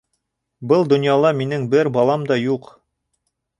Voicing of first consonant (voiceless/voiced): voiced